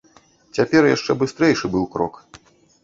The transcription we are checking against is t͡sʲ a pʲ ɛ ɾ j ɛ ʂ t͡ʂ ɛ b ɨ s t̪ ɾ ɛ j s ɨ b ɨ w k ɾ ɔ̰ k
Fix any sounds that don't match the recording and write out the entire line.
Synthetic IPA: t͡sʲ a pʲ ɛ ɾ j a ʂ t͡ʂ ɛ b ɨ s t̪ ɾ ɛ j ʂ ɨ b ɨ w k ɾ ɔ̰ k